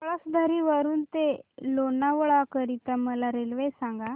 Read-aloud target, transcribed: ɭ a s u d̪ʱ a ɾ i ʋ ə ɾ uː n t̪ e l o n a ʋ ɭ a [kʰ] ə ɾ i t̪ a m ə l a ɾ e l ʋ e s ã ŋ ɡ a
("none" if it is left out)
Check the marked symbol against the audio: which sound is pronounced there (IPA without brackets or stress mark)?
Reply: k